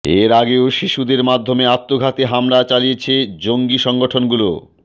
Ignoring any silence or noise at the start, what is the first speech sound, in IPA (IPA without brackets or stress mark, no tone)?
e